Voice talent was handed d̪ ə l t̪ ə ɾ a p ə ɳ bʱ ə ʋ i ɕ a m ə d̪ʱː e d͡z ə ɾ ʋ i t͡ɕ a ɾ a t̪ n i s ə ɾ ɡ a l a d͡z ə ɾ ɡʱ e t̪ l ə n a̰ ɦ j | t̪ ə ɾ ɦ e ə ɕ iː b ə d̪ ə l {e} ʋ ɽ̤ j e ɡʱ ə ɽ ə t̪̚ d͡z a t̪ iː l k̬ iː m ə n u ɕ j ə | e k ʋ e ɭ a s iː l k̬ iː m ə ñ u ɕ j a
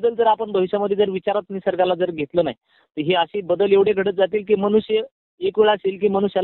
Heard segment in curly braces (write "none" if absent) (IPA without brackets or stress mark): e